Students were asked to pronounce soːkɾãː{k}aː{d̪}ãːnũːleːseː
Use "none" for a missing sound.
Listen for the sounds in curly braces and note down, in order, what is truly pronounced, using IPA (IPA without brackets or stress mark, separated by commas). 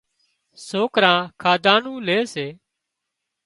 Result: kʰ, d̪